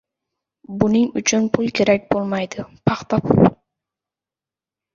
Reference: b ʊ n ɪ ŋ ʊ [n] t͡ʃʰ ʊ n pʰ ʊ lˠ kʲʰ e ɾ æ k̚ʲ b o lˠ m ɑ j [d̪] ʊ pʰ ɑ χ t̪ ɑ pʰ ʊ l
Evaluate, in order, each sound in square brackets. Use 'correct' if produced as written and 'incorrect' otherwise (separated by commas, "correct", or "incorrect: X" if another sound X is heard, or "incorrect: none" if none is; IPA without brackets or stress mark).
incorrect: none, correct